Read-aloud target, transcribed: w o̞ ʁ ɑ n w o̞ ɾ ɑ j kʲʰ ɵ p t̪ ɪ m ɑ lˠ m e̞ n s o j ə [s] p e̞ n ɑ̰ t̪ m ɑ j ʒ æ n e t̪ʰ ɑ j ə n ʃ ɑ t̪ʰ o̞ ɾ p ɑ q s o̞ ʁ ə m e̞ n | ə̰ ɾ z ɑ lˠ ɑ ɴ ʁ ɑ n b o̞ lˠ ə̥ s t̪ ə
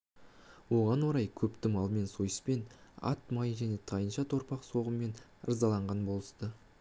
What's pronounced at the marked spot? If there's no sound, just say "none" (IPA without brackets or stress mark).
s